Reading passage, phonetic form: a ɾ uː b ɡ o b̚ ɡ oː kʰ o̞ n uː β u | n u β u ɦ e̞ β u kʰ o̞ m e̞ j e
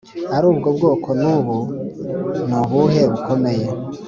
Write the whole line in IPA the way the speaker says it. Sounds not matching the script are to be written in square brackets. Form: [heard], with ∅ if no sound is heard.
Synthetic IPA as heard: a ɾ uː b ɡ o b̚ ɡ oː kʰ o̞ n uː β u | n u β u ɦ e̞ β u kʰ o̞ m e̞ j e